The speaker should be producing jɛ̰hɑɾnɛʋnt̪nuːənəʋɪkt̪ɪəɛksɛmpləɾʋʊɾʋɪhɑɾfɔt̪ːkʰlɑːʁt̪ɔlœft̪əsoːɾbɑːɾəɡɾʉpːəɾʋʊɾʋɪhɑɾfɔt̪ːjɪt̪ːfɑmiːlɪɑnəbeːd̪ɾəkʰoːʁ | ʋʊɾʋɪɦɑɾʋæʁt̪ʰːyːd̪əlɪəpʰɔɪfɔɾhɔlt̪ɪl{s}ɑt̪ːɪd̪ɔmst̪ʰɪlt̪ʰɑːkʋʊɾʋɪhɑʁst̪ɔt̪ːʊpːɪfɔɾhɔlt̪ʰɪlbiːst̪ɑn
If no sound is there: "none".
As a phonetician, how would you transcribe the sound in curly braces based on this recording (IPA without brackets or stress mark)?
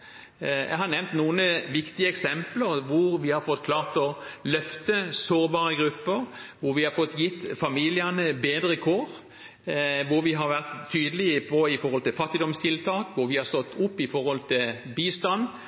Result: f